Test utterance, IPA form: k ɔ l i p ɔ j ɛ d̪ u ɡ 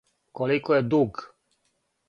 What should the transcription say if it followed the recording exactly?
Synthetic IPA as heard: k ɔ l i k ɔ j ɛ d̪ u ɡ